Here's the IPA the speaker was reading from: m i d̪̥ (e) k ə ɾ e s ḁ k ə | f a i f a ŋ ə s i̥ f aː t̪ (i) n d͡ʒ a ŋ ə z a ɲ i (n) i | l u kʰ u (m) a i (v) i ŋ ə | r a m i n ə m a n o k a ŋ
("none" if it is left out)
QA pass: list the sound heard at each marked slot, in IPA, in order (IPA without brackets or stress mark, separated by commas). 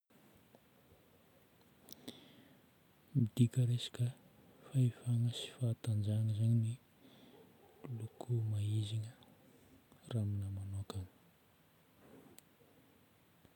i, a, n, m, z